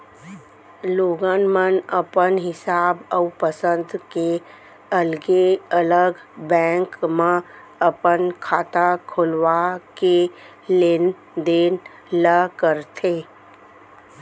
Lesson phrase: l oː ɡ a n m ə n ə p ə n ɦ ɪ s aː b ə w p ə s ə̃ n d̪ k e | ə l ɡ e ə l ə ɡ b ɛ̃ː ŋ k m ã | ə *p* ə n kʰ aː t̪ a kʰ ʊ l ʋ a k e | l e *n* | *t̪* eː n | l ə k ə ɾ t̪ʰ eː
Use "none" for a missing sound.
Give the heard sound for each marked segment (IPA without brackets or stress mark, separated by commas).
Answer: p, n, d̪